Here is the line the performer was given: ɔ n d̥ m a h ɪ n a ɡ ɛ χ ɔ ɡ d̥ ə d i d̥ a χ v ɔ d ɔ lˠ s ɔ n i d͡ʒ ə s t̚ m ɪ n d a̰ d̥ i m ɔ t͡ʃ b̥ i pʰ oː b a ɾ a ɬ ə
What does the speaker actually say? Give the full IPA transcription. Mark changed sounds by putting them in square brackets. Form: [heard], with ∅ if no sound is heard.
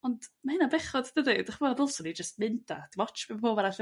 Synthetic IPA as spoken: ɔ n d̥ m a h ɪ n a [b] ɛ χ ɔ [d] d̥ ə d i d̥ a χ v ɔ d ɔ lˠ s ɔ n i d͡ʒ ə s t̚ m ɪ n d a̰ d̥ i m ɔ t͡ʃ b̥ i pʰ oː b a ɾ a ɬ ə